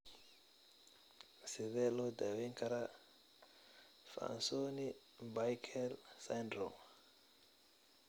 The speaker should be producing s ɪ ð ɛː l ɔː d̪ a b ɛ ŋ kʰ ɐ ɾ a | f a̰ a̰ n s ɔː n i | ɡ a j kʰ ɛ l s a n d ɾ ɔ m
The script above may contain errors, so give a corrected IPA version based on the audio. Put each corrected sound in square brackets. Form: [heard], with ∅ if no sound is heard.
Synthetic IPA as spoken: s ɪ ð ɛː l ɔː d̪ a [w] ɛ ŋ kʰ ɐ ɾ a | f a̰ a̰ n s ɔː n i | [b] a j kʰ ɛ l s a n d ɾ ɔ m